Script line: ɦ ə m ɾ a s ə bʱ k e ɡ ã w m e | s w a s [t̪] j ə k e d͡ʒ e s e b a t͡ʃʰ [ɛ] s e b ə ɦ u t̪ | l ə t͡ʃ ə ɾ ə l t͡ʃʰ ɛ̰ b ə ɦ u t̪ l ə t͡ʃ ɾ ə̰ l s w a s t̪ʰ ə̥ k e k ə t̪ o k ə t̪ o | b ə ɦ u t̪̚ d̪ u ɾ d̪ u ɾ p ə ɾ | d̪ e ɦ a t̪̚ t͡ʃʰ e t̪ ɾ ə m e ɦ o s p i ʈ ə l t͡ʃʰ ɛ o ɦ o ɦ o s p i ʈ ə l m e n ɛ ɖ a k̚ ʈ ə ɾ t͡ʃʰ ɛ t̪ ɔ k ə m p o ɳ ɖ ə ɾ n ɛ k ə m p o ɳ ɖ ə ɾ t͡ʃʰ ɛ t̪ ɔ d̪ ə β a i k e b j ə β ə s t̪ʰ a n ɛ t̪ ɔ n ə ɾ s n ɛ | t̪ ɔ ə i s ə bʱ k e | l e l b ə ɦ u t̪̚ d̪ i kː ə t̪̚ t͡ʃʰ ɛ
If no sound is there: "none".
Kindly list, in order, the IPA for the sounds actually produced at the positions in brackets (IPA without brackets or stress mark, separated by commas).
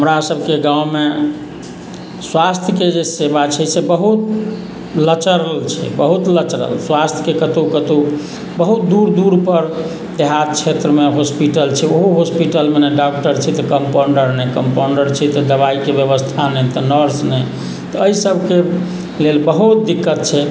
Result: t̪ʰ, ɛ